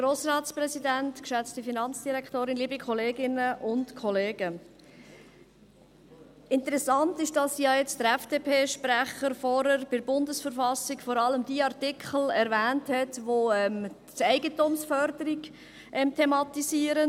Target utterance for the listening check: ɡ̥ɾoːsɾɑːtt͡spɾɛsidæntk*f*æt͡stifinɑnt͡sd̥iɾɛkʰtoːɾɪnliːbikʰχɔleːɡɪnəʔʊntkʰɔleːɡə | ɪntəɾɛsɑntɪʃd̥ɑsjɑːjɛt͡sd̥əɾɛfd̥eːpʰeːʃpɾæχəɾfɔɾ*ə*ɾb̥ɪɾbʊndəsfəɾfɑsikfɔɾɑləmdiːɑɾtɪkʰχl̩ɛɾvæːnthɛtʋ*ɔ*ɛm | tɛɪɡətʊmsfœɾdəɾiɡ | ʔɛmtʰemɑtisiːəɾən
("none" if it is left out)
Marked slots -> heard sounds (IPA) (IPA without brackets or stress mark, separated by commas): ʃ, ə, o